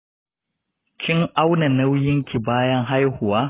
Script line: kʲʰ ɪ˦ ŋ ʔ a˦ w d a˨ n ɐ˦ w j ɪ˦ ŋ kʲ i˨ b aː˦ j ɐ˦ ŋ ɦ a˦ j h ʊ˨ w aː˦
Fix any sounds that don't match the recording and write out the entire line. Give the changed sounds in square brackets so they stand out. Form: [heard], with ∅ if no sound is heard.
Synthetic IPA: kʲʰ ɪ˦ ŋ ʔ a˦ w [n] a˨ n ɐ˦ w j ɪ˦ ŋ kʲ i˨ b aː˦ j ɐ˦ ŋ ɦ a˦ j h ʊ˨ w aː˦

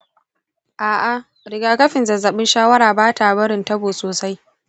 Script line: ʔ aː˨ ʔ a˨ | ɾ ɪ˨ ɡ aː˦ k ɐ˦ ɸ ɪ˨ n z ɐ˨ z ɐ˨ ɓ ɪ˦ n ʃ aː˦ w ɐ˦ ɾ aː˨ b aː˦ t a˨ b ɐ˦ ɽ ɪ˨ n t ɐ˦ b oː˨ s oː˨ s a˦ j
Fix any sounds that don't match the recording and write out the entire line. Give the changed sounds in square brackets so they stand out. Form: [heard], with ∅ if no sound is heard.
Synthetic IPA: ʔ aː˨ ʔ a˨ | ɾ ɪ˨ ɡ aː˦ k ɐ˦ ɸ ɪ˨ n z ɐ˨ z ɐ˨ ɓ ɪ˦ n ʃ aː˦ w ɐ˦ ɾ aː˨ b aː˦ t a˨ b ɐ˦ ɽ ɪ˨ n t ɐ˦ b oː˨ s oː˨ s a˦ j

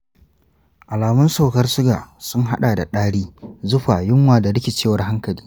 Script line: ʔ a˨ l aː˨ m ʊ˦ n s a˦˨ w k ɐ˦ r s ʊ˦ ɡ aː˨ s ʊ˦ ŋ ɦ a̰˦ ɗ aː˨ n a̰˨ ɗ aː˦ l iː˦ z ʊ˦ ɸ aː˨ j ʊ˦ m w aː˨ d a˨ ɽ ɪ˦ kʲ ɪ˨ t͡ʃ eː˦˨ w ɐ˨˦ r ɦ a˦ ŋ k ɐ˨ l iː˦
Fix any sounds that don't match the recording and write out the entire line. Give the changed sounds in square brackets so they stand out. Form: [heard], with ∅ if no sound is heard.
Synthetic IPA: ʔ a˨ l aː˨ m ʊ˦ n s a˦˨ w k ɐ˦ r s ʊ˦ ɡ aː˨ s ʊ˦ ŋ ɦ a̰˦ ɗ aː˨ [d] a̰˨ ɗ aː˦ [ɽ] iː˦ z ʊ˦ ɸ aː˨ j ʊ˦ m w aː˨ d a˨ ɽ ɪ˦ kʲ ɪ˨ t͡ʃ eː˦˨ w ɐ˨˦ r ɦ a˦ ŋ k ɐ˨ l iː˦

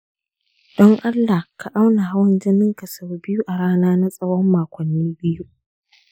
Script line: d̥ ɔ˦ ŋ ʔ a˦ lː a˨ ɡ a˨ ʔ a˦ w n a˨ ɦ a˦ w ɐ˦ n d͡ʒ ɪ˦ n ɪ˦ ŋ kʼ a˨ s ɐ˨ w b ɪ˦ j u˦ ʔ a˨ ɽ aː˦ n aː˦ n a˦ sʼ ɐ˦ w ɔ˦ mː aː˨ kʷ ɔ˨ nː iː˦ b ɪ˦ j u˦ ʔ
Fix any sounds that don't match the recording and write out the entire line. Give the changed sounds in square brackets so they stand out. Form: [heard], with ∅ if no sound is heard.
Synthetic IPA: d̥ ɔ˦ ŋ ʔ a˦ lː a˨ [k] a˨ ʔ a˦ w n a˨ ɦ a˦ w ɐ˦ n d͡ʒ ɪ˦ n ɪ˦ ŋ [k] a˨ s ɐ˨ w b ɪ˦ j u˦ ʔ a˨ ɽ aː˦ n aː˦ n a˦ sʼ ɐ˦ w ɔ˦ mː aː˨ kʷ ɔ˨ nː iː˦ b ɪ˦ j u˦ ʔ

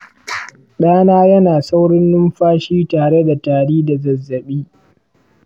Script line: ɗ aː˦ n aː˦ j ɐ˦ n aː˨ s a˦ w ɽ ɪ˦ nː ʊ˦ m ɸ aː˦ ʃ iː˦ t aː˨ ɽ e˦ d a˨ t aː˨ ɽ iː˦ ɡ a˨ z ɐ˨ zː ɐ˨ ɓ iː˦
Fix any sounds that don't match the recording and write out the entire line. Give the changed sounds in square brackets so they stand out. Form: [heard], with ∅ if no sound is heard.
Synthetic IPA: ɗ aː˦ n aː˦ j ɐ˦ n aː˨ s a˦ w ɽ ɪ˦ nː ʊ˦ m ɸ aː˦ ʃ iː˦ t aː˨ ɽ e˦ d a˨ t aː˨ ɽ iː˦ [d] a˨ z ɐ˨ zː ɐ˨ ɓ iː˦

